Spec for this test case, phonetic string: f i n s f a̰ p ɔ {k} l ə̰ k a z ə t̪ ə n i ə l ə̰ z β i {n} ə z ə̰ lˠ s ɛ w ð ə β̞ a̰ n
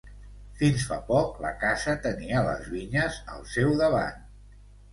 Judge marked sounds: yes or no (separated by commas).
yes, no